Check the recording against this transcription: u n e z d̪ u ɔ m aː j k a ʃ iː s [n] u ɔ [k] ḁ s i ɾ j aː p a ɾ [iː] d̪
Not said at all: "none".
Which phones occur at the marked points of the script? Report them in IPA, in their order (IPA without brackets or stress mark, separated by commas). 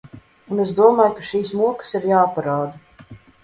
m, k, aː